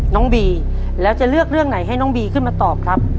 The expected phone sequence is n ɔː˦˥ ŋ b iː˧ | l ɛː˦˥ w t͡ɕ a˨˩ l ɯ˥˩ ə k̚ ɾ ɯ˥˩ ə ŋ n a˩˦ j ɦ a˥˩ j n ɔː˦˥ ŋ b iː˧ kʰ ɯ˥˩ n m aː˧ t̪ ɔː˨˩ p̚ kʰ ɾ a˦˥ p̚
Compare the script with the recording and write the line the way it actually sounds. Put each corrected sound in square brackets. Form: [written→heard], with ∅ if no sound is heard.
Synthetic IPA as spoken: n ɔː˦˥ ŋ b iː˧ | l ɛː˦˥ w t͡ɕ a˨˩ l ɯ˥˩ ə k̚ ɾ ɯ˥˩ ə ŋ n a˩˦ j ɦ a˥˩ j n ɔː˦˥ ŋ b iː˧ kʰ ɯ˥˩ n m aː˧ t̪ ɔː˨˩ p̚ kʰ ɾ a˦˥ p̚